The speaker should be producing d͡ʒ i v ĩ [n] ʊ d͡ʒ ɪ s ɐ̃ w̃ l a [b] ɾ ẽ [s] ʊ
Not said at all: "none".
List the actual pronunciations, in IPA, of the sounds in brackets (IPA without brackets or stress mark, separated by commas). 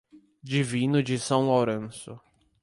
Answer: n, w, s